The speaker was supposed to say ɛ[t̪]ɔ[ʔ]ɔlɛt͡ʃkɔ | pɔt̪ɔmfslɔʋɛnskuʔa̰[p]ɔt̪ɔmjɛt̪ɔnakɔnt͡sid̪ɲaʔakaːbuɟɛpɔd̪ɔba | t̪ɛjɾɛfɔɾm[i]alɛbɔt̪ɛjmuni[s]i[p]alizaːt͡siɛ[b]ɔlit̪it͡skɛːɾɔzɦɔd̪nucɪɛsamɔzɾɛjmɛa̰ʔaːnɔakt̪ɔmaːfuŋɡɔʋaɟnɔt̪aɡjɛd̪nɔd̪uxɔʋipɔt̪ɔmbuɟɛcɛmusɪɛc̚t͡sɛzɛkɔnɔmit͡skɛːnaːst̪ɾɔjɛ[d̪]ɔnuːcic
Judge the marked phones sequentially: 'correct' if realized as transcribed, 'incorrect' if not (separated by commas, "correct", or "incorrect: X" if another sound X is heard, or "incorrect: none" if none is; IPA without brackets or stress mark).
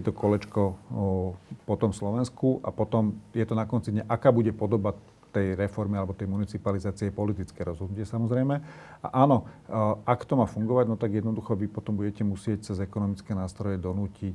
correct, incorrect: k, correct, correct, incorrect: t͡s, correct, incorrect: p, correct